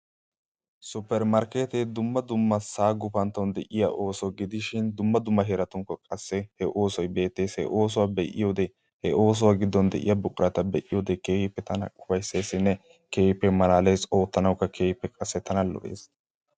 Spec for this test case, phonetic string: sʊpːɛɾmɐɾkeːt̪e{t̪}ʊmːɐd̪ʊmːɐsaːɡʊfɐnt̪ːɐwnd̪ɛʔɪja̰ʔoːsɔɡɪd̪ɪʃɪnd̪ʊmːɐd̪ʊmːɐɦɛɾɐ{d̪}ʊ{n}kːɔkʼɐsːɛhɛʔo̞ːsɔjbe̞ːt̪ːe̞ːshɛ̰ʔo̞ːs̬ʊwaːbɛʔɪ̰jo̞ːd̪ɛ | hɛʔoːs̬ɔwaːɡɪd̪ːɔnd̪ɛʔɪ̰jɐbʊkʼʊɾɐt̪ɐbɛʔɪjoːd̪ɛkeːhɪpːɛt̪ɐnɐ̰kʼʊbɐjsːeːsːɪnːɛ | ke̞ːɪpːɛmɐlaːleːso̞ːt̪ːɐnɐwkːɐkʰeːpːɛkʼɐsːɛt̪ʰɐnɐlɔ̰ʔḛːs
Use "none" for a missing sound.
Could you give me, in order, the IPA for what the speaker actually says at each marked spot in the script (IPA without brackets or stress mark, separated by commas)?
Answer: d̪, t̪, ŋ